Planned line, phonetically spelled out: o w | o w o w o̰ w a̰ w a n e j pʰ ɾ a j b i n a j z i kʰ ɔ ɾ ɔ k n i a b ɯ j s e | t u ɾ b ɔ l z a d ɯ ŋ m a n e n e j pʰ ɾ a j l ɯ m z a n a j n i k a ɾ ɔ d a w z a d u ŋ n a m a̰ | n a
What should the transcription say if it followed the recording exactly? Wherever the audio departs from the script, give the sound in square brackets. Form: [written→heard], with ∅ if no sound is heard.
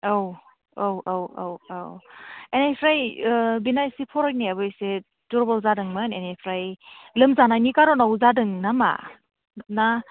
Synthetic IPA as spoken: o w | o w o w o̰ w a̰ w [a→e] n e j pʰ ɾ a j b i n a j [z→s] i [kʰ→pʰ] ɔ ɾ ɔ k n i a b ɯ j s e | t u ɾ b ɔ l z a d ɯ ŋ m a n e n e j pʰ ɾ a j l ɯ m z a n a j n i k a ɾ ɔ [d→n] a w z a d [u→ɯ] ŋ n a m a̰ | n a